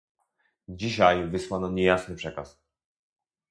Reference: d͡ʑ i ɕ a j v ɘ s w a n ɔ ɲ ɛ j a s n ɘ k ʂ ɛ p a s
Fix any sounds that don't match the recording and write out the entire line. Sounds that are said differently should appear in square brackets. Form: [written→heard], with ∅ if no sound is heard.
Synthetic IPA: d͡ʑ i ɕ a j v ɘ s w a n ɔ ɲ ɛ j a s n ɘ [k→p] ʂ ɛ [p→k] a s